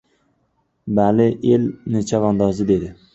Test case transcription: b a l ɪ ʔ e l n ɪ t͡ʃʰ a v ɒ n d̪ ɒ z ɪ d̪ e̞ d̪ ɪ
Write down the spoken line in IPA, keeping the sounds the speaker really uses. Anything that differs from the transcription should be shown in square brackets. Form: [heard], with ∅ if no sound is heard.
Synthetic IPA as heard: b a l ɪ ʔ e l n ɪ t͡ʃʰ a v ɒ n d̪ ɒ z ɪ d̪ e̞ d̪ ɪ